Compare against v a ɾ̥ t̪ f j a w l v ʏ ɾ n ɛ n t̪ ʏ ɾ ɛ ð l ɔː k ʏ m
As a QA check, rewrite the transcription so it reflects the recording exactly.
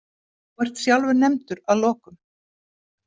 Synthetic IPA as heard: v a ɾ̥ t̪ s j a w l v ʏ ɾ n ɛ m t̪ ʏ ɾ a ð l ɔː k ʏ m